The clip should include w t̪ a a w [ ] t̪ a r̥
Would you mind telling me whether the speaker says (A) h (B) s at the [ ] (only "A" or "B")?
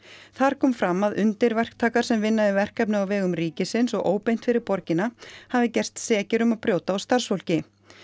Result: B